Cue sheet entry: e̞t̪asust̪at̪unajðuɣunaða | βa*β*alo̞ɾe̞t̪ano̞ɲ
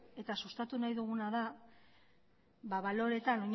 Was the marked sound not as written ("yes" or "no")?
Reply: no